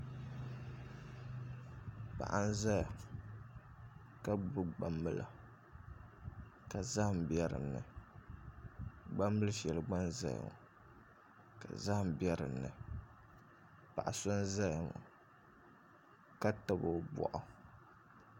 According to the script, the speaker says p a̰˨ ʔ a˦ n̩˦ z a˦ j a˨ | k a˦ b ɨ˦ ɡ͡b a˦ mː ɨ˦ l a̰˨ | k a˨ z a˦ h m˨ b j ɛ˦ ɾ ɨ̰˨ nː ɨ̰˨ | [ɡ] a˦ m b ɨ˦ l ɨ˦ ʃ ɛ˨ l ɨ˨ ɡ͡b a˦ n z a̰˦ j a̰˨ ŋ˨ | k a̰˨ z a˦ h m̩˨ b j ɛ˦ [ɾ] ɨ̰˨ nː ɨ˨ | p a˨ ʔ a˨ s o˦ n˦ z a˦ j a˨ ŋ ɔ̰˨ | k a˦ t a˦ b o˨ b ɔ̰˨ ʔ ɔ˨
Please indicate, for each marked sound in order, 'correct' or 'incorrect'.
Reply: incorrect, correct

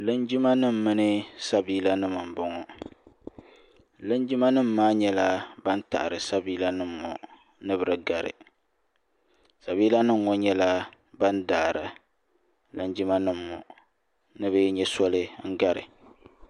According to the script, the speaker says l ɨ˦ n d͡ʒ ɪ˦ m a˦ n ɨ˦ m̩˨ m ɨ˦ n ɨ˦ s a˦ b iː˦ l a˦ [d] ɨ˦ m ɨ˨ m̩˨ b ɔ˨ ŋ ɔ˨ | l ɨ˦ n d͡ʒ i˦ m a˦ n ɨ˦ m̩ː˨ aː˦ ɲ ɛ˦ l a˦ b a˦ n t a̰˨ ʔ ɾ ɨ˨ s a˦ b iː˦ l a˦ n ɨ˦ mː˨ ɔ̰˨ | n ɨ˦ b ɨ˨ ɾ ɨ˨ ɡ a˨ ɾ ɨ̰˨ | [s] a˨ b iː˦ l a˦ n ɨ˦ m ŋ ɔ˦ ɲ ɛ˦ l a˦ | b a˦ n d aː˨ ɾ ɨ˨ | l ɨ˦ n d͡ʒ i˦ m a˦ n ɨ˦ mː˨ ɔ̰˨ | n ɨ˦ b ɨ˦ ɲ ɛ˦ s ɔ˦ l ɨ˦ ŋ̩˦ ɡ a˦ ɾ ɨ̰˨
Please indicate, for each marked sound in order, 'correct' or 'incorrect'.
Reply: incorrect, correct

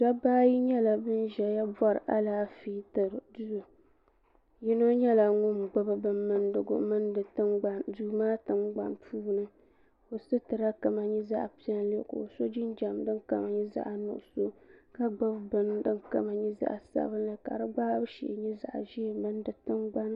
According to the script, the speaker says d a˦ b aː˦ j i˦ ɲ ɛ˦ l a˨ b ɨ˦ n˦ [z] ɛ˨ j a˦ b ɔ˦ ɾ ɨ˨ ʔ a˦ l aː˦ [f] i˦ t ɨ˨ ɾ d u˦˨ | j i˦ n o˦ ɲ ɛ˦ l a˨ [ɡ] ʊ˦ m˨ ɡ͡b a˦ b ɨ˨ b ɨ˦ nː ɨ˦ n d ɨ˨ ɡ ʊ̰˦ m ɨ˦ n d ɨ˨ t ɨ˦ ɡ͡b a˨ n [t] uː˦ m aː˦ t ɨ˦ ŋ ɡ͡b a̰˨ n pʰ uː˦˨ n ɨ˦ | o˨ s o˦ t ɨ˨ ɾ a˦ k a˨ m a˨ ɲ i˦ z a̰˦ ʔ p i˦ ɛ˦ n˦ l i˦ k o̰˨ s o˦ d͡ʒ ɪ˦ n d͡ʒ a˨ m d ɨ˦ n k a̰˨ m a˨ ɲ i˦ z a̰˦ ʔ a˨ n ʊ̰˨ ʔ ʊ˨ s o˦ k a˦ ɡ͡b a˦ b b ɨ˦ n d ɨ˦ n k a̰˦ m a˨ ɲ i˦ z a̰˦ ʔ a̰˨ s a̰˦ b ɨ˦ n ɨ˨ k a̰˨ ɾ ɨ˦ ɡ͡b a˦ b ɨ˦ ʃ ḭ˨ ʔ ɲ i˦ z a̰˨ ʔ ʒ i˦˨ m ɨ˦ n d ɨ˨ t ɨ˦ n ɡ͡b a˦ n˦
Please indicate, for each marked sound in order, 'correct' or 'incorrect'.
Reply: incorrect, correct, incorrect, incorrect

